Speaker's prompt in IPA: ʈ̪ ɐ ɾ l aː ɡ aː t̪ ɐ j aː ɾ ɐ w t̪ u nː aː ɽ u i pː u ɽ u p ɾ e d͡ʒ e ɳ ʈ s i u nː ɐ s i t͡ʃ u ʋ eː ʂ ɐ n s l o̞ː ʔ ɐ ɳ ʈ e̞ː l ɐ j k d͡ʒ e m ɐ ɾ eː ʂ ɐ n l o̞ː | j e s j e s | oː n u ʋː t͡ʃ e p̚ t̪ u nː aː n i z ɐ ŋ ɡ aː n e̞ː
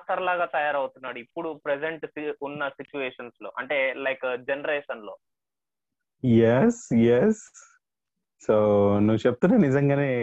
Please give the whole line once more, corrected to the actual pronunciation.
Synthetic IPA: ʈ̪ ɐ ɾ l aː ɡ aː t̪ ɐ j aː ɾ ɐ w t̪ u nː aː ɽ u i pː u ɽ u p ɾ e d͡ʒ e ɳ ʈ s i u nː ɐ s i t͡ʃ u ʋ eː ʂ ɐ n s l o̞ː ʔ ɐ ɳ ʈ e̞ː l ɐ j k d͡ʒ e n ɐ ɾ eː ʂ ɐ n l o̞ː | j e s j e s | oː n u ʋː t͡ʃ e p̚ t̪ u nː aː n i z ɐ ŋ ɡ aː n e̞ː